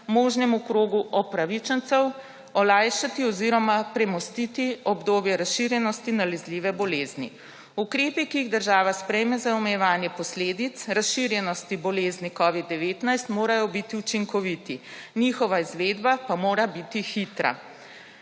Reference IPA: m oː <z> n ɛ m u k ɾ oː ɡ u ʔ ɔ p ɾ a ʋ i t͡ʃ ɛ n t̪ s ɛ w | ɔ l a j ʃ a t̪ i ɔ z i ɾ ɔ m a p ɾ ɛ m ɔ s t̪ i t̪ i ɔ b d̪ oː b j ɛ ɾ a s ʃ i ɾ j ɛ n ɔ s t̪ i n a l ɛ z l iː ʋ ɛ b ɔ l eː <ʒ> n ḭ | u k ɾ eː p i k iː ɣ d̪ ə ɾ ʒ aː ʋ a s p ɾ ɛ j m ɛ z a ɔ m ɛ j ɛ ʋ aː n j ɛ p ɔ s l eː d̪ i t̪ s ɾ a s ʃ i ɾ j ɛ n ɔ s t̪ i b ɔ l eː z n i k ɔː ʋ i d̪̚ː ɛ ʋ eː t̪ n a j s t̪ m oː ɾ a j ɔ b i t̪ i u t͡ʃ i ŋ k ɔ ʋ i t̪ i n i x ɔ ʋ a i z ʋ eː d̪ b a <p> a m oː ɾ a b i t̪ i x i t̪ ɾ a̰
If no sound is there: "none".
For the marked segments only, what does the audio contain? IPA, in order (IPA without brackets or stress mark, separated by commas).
ʒ, z, p